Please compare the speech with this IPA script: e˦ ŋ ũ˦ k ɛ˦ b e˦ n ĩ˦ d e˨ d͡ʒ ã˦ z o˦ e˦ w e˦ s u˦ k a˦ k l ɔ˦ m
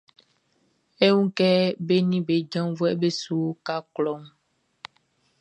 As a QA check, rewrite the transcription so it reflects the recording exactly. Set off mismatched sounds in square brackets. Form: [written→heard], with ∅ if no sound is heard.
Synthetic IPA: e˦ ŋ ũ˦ k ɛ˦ b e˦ n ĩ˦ [d→b] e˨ d͡ʒ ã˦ [z→v] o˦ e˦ [w→b] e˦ s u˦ k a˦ k l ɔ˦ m

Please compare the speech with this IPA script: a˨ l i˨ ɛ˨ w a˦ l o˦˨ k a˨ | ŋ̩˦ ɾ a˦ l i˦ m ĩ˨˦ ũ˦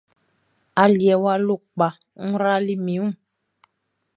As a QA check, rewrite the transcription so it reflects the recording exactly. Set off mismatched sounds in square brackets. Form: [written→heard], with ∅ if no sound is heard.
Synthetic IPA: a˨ l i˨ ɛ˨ w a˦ l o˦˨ [k→k͡p] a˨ | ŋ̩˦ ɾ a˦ l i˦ m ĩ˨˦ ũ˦

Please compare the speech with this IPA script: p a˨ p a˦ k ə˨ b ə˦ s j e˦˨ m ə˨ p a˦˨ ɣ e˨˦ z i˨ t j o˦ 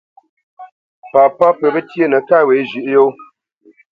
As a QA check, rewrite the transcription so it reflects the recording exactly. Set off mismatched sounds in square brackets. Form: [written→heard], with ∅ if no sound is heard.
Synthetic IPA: p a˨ p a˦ [k→p] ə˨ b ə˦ [s→t] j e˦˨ [m→n] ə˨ [p→k] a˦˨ [ɣ→w] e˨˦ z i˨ [t→ʔ] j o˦

